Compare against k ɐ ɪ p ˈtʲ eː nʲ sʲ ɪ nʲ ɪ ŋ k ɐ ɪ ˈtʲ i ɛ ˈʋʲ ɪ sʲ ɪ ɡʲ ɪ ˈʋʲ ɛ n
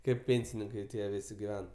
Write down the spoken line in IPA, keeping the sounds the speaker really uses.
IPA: k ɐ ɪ p ˈpʲ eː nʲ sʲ ɪ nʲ ɪ ŋ k ɐ ɪ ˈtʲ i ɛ ˈʋʲ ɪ sʲ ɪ ɡʲ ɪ ˈʋʲ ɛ n